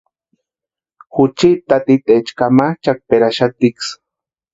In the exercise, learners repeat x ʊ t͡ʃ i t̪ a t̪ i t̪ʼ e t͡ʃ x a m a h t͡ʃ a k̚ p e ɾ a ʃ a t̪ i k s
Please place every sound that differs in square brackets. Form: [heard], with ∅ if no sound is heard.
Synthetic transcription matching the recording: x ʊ t͡ʃ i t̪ a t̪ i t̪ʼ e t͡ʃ [k] a m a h t͡ʃ a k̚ p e ɾ a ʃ a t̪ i k s